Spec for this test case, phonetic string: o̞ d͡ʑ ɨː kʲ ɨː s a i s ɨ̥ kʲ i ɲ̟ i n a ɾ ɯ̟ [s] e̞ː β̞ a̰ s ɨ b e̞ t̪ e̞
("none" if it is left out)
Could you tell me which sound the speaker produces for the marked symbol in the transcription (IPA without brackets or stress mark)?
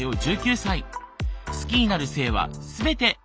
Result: s